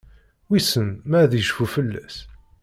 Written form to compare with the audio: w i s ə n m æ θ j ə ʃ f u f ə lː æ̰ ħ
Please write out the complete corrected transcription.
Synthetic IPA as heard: w i s ə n m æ ð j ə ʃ f u f ə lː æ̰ s